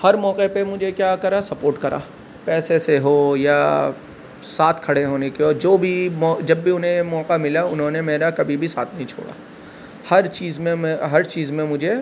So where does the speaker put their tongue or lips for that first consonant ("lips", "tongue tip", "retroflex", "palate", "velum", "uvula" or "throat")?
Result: throat